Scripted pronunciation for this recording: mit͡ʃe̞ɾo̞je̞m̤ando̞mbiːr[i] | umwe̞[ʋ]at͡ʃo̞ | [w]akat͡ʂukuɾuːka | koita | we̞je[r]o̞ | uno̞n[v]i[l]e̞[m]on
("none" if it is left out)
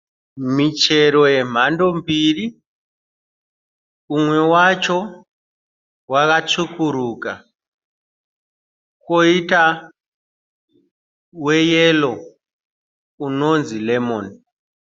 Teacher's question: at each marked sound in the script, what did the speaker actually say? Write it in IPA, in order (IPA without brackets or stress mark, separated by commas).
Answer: i, w, w, l, z, l, m